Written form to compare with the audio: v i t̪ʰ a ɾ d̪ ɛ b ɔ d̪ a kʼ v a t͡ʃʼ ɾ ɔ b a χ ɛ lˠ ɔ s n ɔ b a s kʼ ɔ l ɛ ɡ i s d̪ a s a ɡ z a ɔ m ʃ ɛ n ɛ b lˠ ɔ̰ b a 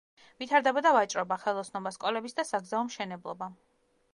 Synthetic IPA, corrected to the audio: v i t̪ʰ a ɾ d̪ ɛ b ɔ d̪ a v a t͡ʃʼ ɾ ɔ b a χ ɛ lˠ ɔ s n ɔ b a s kʼ ɔ l ɛ b i s d̪ a s a ɡ z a ɔ m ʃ ɛ n ɛ b lˠ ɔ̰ b a